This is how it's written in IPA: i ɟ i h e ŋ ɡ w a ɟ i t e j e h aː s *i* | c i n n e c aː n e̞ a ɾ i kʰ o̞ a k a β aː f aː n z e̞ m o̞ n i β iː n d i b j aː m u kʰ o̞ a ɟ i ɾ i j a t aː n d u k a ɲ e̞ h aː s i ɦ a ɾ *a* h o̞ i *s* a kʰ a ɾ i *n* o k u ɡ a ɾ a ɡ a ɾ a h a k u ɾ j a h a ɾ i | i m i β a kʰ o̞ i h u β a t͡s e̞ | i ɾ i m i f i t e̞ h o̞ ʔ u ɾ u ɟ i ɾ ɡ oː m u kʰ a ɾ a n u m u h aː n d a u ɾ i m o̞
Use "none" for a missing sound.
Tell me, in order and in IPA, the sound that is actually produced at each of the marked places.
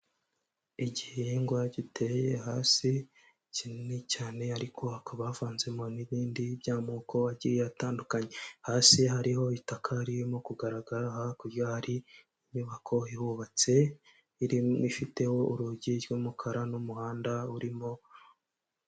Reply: i, i, t, m

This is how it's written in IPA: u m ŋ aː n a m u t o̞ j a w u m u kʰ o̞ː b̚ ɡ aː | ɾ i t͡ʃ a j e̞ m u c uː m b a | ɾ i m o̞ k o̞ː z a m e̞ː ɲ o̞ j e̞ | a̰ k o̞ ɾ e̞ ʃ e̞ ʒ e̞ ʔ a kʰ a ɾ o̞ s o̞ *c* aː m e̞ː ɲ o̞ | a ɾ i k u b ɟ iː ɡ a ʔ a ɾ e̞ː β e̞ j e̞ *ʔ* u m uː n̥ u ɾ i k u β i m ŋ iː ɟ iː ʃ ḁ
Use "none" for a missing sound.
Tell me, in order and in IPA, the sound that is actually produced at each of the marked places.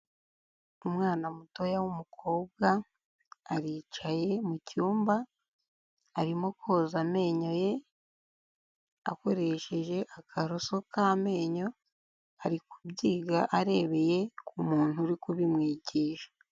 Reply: k, k

